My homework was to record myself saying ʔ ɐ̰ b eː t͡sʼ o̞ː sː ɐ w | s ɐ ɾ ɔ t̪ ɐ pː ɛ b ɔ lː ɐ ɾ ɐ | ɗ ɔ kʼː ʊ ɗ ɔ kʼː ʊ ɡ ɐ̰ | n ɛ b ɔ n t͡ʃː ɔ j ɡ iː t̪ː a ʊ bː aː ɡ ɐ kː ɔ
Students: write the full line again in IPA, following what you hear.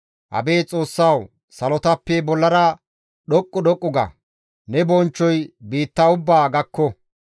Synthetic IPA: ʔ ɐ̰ b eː t͡sʼ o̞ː sː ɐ w | s ɐ l ɔ t̪ ɐ pː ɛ b ɔ lː ɐ ɾ ɐ | ɗ ɔ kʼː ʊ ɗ ɔ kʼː ʊ ɡ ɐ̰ | n ɛ b ɔ n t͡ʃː ɔ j b iː t̪ː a ʊ bː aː ɡ ɐ kː ɔ

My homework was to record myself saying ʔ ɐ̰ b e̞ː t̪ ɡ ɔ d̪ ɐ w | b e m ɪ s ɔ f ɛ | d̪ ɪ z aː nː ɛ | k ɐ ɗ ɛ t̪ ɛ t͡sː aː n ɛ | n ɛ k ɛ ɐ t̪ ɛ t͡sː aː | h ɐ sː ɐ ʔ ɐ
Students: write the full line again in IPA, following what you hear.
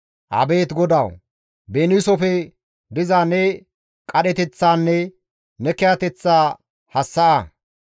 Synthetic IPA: ʔ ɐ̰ b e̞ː t̪ ɡ ɔ d̪ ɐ w | b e n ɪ s ɔ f ɛ | d̪ ɪ z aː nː ɛ | kʼ ɐ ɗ ɛ t̪ ɛ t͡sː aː nː ɛ | n ɛ k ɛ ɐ t̪ ɛ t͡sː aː | h ɐ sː ɐ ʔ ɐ

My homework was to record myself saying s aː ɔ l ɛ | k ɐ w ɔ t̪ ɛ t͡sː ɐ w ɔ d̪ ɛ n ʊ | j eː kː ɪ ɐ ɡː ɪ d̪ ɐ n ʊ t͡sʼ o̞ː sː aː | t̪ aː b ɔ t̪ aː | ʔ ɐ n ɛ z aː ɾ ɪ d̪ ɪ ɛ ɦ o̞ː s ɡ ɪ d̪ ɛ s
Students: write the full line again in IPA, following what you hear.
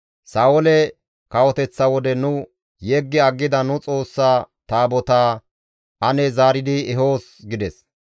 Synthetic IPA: s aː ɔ l ɛ | k ɐ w ɔ t̪ ɛ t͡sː ɐ w ɔ d̪ ɛ n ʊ | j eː ɡː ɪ ɐ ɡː ɪ d̪ ɐ n ʊ t͡sʼ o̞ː sː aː | t̪ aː b ɔ t̪ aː | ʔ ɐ n ɛ z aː ɾ ɪ d̪ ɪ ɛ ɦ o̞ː s ɡ ɪ d̪ ɛ s

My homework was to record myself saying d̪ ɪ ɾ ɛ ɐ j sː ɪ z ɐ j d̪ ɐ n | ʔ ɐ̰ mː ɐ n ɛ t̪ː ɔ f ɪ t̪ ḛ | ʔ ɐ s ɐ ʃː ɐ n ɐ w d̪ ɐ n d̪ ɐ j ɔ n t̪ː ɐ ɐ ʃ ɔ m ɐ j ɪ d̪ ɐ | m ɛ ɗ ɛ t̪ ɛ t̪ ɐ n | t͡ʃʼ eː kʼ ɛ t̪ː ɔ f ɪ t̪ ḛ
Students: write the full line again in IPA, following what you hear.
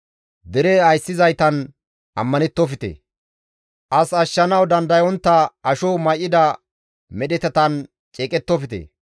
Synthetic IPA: d̪ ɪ ɾ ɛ ɐ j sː ɪ z ɐ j t̪ ɐ n | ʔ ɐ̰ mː ɐ n ɛ t̪ː ɔ f ɪ t̪ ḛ | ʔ ɐ s ɐ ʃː ɐ n ɐ w d̪ ɐ n d̪ ɐ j ɔ n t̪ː ɐ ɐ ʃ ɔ m ɐ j ɪ d̪ ɐ | m ɛ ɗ ɛ t̪ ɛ t̪ ɐ n | t͡ʃʼ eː kʼ ɛ t̪ː ɔ f ɪ t̪ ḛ

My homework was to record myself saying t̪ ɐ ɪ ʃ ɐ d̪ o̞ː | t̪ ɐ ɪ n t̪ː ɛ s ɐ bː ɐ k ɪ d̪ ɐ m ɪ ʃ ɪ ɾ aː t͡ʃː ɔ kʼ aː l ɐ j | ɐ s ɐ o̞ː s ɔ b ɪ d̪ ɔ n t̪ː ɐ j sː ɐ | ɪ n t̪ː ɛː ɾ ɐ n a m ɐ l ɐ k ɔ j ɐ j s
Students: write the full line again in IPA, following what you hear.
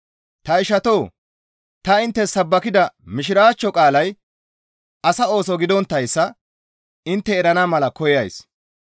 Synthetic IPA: t̪ ɐ ɪ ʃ ɐ t̪ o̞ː | t̪ ɐ ɪ n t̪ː ɛ s ɐ bː ɐ k ɪ d̪ ɐ m ɪ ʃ ɪ ɾ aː t͡ʃː ɔ kʼ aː l ɐ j | ɐ s ɐ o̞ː s ɔ ɡ ɪ d̪ ɔ n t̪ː ɐ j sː ɐ | ɪ n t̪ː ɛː ɾ ɐ n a m ɐ l ɐ k ɔ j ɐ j s

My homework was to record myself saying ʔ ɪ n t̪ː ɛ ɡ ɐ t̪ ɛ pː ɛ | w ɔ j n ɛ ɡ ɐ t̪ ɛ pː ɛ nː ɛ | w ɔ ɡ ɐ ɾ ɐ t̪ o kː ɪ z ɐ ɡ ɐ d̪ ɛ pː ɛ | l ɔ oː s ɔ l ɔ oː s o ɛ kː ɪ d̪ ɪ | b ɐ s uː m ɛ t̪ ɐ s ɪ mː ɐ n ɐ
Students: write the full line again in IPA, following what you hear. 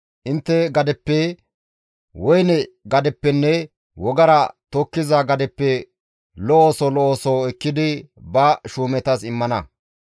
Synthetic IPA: ʔ ɪ n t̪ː ɛ ɡ ɐ d̪ ɛ pː ɛ | w ɔ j n ɛ ɡ ɐ d̪ ɛ pː ɛ nː ɛ | w ɔ ɡ ɐ ɾ ɐ t̪ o kː ɪ z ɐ ɡ ɐ d̪ ɛ pː ɛ | l ɔ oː s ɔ l ɔ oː s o ɛ kː ɪ d̪ ɪ | b ɐ ʃ uː m ɛ t̪ ɐ s ɪ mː ɐ n ɐ

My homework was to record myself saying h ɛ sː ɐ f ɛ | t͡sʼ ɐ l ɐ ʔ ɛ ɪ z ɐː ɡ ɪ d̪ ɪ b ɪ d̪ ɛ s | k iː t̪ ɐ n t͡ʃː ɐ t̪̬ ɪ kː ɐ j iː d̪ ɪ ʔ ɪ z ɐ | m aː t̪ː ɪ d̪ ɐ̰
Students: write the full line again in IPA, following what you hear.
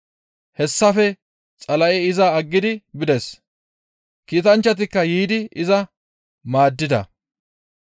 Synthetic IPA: h ɛ sː ɐ f ɛ | t͡sʼ ɐ l ɐ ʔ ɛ ɪ z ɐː ɡː ɪ d̪ ɪ b ɪ d̪ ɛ s | k iː t̪ ɐ n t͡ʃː ɐ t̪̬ ɪ kː ɐ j iː d̪ ɪ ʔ ɪ z ɐ | m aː d̪ː ɪ d̪ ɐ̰

